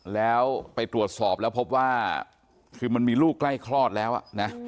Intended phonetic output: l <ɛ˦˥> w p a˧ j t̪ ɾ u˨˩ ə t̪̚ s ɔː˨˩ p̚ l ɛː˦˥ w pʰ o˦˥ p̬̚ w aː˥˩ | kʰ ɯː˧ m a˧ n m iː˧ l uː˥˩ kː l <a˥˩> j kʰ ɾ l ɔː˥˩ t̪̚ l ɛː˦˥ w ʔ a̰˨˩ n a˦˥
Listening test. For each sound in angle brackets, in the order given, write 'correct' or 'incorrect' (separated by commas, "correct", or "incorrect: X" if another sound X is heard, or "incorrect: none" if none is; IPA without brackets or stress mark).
incorrect: ɛː˦˥, correct